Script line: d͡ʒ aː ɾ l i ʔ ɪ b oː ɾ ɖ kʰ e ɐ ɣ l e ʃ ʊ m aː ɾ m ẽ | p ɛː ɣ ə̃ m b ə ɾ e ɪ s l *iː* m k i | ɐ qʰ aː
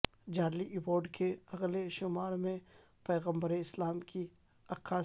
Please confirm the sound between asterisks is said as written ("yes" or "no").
no